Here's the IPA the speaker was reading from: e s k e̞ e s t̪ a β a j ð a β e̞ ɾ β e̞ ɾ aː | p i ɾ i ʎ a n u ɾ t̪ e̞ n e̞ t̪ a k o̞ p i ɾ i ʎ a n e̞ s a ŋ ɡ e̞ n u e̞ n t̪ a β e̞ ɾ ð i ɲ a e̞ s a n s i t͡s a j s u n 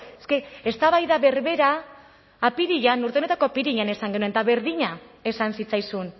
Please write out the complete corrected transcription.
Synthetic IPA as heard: e s k e̞ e s t̪ a β a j ð a β e̞ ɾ β e̞ ɾ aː | p i ɾ i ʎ a n u ɾ t̪ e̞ n e̞ t̪ a k o̞ p i ɾ i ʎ a n e̞ s a ŋ ɡ e̞ n u e̞ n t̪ a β e̞ ɾ ð i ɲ a e̞ s a n s i t͡s a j s u n